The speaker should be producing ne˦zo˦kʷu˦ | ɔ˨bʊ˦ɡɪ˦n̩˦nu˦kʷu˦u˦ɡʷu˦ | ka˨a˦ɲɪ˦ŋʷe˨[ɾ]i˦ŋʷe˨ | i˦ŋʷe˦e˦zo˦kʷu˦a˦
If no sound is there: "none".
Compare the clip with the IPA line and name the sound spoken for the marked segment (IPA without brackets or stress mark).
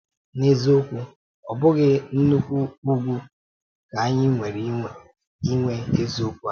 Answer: ɾ